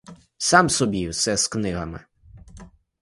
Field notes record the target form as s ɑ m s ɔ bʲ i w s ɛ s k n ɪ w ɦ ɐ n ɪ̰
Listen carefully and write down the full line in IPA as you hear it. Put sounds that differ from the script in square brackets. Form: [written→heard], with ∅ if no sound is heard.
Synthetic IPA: s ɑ m s ɔ bʲ i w s ɛ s k n ɪ [w→∅] ɦ ɐ [n→m] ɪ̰